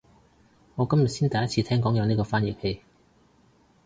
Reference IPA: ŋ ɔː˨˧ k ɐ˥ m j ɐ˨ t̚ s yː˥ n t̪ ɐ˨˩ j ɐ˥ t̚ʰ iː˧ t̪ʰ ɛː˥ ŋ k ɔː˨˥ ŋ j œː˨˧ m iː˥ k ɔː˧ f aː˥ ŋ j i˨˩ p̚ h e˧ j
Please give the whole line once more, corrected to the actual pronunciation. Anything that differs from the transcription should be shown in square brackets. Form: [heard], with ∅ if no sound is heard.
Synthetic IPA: ŋ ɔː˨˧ k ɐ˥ m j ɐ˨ t̚ s [iː˥] n t̪ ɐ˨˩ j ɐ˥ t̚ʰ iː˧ t̪ʰ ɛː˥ ŋ k ɔː˨˥ ŋ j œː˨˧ [n] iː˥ k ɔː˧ f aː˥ [n] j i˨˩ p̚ h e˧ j